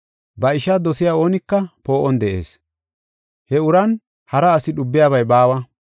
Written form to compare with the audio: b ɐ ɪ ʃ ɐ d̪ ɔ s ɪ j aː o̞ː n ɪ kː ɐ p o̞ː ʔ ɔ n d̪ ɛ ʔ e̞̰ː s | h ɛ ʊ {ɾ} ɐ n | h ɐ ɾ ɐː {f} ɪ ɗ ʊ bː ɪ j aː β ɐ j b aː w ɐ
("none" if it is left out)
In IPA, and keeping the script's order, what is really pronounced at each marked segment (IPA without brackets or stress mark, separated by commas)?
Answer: ɾ, s